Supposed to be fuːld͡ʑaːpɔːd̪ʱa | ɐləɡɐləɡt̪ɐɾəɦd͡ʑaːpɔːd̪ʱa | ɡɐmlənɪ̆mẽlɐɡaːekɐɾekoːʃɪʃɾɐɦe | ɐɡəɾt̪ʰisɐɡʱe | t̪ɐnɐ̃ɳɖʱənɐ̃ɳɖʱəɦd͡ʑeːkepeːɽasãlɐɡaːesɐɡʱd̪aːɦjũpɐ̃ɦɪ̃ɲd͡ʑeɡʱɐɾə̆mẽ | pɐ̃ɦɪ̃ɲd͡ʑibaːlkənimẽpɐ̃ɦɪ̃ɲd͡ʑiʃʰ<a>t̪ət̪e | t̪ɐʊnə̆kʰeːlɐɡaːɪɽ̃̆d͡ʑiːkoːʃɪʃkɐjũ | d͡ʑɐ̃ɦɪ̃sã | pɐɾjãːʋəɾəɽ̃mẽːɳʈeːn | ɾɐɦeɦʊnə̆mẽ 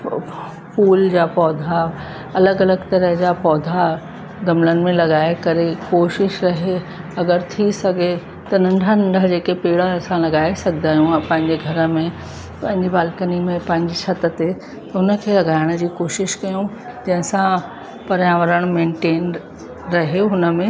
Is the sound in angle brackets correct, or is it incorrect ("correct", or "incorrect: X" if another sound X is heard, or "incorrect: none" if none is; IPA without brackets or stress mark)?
incorrect: ɐ